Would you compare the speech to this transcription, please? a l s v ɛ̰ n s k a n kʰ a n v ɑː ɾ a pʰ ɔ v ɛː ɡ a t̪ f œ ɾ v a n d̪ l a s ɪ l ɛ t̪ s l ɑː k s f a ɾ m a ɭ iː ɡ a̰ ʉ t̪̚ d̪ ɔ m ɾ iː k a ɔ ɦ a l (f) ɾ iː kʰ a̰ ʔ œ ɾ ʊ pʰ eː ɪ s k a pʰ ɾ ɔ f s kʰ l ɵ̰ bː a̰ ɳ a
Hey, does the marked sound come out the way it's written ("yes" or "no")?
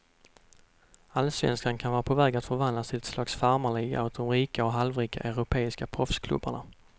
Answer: no